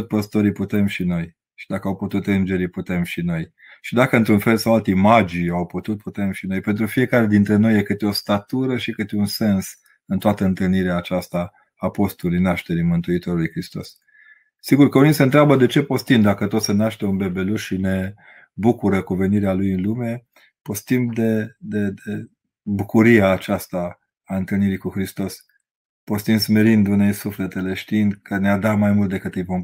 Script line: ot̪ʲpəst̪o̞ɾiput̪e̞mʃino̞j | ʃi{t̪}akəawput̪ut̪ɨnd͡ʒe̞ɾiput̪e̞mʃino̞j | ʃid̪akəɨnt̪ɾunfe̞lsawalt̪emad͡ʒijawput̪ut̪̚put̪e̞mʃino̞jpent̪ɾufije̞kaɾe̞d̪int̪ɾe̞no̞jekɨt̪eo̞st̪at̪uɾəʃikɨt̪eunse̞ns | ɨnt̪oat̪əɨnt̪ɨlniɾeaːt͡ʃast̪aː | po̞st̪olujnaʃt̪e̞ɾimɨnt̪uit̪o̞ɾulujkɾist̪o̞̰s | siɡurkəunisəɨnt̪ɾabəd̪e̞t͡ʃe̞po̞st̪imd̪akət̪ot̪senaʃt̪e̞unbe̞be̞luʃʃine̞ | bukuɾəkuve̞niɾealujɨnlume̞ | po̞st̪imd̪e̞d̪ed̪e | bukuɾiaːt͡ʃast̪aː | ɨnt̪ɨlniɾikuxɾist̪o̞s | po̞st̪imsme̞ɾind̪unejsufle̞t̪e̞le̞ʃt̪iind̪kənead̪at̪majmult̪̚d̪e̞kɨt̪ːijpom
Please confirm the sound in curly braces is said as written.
no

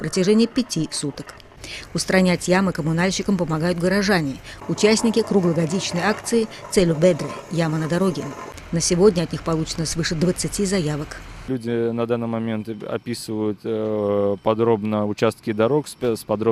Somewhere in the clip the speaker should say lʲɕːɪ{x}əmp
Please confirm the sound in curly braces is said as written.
no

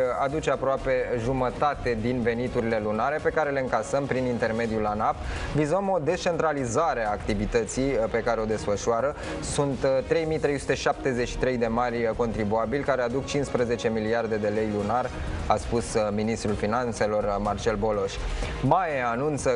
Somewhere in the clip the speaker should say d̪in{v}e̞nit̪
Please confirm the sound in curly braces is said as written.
yes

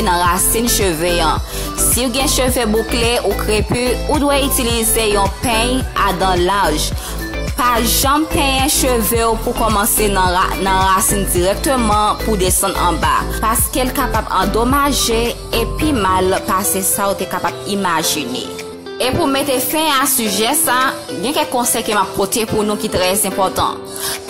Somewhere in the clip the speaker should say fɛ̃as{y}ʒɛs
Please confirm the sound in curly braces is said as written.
yes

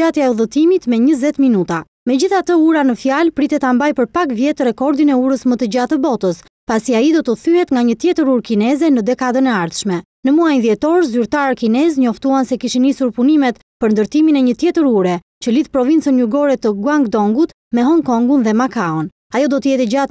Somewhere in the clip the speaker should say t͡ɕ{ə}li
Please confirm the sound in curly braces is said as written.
yes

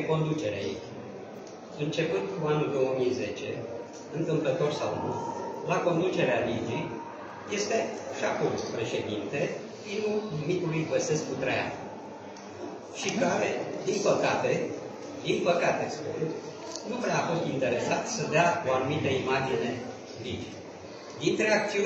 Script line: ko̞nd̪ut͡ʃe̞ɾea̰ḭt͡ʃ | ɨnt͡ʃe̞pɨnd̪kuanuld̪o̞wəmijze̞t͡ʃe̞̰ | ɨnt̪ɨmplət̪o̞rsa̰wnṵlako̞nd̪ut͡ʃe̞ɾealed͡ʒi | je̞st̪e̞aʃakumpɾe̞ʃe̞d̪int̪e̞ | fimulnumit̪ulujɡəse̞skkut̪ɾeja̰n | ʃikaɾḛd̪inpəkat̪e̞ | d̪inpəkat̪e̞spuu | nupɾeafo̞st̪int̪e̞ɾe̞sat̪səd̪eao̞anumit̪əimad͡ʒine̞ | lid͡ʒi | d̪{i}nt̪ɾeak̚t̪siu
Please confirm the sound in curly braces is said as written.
yes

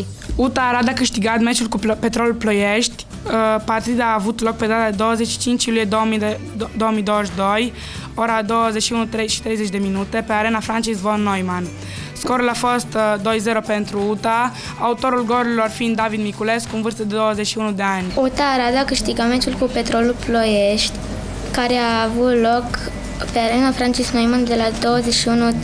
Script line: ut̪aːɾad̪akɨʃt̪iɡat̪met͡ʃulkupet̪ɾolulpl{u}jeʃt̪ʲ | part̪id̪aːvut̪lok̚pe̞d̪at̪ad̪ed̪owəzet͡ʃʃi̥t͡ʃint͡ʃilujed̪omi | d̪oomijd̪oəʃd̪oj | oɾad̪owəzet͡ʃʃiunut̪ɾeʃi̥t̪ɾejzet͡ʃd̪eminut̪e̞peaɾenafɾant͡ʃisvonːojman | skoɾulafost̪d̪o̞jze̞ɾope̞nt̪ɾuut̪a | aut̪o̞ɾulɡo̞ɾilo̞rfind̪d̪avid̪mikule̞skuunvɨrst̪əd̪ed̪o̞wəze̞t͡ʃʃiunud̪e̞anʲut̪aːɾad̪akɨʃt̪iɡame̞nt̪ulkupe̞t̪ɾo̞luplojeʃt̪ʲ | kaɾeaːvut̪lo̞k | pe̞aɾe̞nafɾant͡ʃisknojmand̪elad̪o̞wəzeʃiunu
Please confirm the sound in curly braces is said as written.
no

